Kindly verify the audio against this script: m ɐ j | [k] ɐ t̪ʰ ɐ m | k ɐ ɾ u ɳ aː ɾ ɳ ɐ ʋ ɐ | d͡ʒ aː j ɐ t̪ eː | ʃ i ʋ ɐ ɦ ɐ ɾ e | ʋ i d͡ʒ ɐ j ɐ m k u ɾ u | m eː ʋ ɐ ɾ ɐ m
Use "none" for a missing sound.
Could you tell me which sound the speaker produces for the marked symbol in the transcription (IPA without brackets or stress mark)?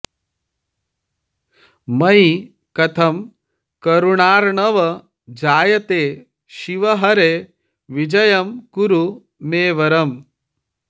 k